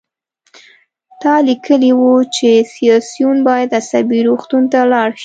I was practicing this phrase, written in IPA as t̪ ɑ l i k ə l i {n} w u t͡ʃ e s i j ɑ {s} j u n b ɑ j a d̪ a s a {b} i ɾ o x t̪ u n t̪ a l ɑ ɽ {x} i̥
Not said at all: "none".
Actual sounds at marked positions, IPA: none, s, b, ʃ

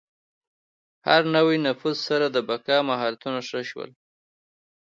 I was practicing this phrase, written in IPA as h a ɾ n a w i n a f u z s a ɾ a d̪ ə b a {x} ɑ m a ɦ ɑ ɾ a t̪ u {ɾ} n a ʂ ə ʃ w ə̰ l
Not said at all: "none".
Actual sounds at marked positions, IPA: k, none

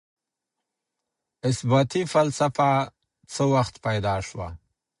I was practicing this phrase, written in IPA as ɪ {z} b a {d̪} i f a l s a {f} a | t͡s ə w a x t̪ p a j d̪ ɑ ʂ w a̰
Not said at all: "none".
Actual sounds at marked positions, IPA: s, t̪, f

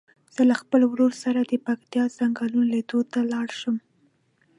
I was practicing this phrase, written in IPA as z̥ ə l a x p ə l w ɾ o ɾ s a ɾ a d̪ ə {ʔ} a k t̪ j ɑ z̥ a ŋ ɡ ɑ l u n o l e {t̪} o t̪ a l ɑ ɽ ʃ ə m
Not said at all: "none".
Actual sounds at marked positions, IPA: p, d̪

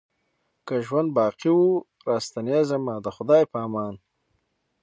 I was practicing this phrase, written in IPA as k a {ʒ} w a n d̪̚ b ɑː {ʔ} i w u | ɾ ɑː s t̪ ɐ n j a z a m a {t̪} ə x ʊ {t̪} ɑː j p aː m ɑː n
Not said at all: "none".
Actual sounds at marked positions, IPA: ʒ, q, d̪, d̪

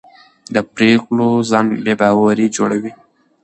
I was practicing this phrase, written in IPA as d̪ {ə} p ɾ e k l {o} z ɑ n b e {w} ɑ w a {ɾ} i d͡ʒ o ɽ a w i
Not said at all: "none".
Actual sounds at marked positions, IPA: ə, o, b, ɾ

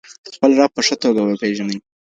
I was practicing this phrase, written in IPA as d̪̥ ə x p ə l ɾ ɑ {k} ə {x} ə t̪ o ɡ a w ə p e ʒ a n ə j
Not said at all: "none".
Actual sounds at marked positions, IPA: p, ʂ

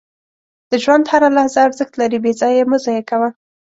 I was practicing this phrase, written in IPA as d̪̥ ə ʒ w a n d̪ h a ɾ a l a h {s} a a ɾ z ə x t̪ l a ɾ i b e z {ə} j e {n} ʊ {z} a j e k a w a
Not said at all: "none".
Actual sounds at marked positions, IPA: z, ɑ, m, z

